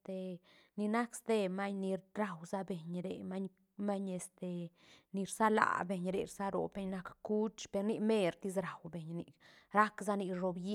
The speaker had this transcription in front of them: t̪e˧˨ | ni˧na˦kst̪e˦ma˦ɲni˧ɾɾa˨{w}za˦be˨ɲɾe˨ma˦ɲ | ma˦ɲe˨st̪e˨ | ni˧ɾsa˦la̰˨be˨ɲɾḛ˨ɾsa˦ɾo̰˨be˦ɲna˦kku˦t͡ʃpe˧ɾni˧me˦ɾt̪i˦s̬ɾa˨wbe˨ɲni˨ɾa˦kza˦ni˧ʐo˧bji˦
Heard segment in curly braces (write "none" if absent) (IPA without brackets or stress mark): w